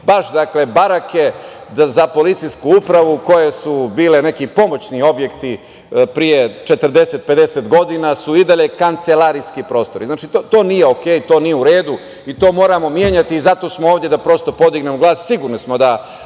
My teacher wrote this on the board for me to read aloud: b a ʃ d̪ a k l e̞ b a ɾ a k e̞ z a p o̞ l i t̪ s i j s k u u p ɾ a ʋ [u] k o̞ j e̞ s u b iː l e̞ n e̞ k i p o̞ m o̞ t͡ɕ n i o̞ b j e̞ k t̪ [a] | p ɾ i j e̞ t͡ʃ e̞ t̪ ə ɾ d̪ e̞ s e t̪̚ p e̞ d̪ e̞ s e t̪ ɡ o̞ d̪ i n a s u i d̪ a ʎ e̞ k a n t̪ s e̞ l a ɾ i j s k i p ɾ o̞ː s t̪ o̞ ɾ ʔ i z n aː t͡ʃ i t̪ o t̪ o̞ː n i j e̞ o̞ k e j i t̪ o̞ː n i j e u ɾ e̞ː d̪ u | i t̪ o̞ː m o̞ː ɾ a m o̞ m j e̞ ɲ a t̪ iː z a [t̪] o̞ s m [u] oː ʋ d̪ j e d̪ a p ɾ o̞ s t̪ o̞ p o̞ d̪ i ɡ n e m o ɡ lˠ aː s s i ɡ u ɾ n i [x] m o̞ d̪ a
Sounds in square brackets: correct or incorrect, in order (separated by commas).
correct, incorrect, correct, incorrect, incorrect